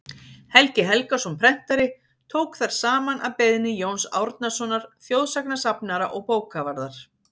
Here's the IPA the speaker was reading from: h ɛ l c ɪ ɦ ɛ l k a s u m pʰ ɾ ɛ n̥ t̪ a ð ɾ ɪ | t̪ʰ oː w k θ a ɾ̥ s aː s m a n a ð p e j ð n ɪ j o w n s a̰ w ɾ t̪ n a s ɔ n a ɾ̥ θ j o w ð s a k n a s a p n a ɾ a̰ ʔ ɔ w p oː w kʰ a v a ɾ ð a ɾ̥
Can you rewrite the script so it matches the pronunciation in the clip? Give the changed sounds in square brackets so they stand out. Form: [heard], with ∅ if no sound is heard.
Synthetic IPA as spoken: h ɛ l c ɪ ɦ ɛ l k a s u m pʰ ɾ ɛ n̥ t̪ a [∅] ɾ ɪ | t̪ʰ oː w k θ a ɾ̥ s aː [∅] m a n a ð p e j ð n ɪ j o w n s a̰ w ɾ t̪ n a s ɔ n a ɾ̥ θ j o w ð s a k n a s a p n a ɾ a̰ ʔ ɔ [ɣ] p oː w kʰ a v a ɾ ð a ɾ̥

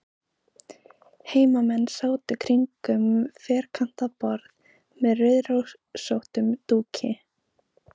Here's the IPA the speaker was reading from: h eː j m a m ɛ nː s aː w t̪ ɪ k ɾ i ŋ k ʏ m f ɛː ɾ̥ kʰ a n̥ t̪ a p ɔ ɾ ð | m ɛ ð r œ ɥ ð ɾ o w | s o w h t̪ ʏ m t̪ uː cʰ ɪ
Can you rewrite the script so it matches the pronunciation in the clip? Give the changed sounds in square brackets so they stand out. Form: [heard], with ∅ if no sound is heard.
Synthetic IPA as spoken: h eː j m a m ɛ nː s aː w t̪ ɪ [kʰ] ɾ i ŋ k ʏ m f ɛː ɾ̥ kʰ a n̥ t̪ a p ɔ ɾ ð | m ɛ ð r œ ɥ ð ɾ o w | s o w h t̪ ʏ m t̪ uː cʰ ɪ

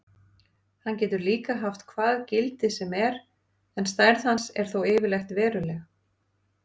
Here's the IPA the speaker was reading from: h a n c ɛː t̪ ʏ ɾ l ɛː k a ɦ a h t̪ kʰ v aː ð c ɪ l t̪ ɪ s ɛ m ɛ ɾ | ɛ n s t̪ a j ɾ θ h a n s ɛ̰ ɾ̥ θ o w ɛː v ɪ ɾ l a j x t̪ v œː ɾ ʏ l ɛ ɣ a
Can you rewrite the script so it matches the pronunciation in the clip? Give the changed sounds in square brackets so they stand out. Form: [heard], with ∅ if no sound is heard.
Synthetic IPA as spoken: h a n c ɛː t̪ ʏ ɾ l [iː] k a ɦ a [f] t̪ kʰ v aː ð c ɪ l t̪ ɪ s ɛ m ɛ ɾ | ɛ n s t̪ a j ɾ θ h a n s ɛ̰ ɾ̥ θ o w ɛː v ɪ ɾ l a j x t̪ v [ɛː] ɾ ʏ l ɛ ɣ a

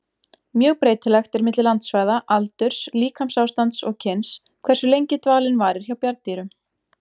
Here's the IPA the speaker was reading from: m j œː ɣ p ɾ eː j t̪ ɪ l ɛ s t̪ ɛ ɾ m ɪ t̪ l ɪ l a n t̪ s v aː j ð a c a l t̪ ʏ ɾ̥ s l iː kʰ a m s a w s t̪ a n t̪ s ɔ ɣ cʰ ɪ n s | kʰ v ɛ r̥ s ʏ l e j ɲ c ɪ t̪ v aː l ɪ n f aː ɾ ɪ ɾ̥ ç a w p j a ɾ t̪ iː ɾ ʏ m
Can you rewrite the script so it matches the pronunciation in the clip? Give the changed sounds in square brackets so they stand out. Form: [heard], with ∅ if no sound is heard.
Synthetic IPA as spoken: m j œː ɣ p ɾ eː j t̪ ɪ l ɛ [x] t̪ ɛ ɾ m ɪ t̪ l ɪ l a n t̪ s v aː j ð a [ʔ] a l t̪ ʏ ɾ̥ s l iː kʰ a m s a w s t̪ a n t̪ s ɔ ɣ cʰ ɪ n s | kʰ v ɛ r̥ s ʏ l e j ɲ c ɪ t̪ v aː l ɪ n [v] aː ɾ ɪ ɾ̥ ç a w p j a ɾ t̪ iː ɾ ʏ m

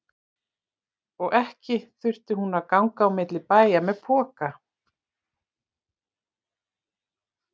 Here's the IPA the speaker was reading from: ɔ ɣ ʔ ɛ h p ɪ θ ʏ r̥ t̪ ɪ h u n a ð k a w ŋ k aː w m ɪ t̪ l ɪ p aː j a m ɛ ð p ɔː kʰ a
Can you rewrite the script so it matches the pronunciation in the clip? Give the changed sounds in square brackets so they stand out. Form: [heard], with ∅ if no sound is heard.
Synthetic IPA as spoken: ɔ ɣ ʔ ɛ h [c] ɪ θ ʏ r̥ t̪ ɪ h u n a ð k a w ŋ k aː w m ɪ t̪ l ɪ p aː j a m ɛ ð [pʰ] ɔː [k] a

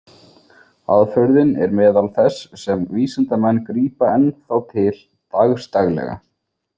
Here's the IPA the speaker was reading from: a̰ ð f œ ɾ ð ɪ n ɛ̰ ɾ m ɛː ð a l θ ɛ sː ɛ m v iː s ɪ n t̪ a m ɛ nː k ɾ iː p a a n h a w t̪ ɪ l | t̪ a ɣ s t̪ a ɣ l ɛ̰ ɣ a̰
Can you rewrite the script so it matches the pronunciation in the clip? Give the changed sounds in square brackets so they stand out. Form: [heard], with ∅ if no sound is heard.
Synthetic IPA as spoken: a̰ ð f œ ɾ ð ɪ n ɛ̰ ɾ m ɛː ð a l θ ɛ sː ɛ m v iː s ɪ n t̪ a m ɛ nː k ɾ iː p a [ɛ] n [θ] a w [t̪ʰ] ɪ l | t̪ a ɣ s t̪ a ɣ l ɛ̰ ɣ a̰

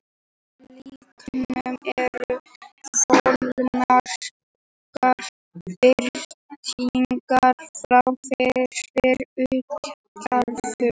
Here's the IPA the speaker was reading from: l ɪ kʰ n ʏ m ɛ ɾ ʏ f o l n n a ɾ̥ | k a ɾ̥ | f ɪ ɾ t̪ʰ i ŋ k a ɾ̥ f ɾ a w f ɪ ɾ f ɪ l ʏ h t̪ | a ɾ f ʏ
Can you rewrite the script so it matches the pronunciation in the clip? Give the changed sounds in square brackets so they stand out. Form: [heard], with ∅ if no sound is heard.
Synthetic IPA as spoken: l [i] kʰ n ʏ m ɛ ɾ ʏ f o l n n a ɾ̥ | k a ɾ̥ | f ɪ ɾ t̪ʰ i ŋ k a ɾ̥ f ɾ a w f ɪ ɾ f ɪ [ɾ] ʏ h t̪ | a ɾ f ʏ

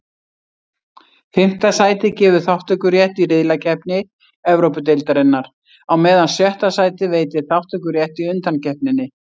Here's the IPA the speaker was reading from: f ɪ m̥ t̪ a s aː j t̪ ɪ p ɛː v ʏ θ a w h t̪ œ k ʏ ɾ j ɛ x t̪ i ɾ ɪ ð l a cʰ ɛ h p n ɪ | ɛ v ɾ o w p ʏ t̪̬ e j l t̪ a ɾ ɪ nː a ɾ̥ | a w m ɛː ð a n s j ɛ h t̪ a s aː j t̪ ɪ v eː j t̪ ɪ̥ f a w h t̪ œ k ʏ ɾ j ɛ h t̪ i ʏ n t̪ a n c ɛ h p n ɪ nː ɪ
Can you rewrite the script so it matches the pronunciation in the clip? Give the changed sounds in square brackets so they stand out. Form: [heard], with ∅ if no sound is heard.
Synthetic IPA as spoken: f ɪ m̥ t̪ a s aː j t̪ ɪ [c] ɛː v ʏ θ a w h t̪ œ k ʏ ɾ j ɛ [h] t̪ i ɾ ɪ ð l a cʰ ɛ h p n ɪ | ɛ v ɾ o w p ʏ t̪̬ e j l t̪ a ɾ ɪ nː a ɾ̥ | a w m ɛː ð a n s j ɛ h t̪ a s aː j t̪ ɪ v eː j t̪ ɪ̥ [θ] a w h t̪ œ k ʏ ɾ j ɛ h t̪ i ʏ n t̪ a n c ɛ h p n ɪ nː ɪ

